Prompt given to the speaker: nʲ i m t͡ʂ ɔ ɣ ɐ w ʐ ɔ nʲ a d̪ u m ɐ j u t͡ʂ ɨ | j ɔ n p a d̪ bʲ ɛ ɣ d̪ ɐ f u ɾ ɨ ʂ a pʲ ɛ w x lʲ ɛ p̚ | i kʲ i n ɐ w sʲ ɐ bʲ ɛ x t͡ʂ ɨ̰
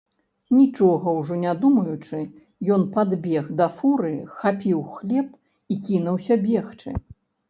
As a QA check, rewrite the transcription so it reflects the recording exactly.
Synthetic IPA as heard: nʲ i t͡ʂ ɔ ɣ ɐ w ʐ ɔ nʲ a d̪ u m ɐ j u t͡ʂ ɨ | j ɔ n p a d̪ bʲ ɛ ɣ d̪ ɐ f u ɾ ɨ x a pʲ i w x lʲ ɛ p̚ | i kʲ i n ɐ w sʲ ɐ bʲ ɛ x t͡ʂ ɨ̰